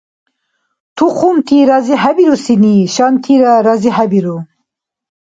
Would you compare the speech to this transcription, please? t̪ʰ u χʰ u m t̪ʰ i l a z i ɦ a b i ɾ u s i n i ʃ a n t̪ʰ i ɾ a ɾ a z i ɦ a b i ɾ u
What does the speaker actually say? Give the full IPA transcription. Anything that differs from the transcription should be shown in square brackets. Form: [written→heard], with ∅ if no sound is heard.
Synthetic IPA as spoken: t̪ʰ u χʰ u m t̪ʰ i [l→ɾ] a z i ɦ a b i ɾ u s i n i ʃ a n t̪ʰ i ɾ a ɾ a z i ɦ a b i ɾ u